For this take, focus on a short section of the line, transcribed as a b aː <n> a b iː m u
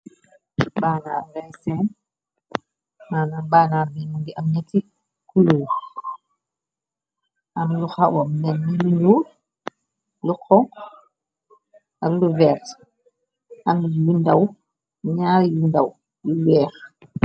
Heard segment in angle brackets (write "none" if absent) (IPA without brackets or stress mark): n